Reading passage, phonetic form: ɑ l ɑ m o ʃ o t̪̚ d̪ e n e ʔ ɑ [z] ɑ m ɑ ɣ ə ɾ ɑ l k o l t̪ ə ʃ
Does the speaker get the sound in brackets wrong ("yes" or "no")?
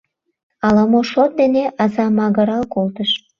no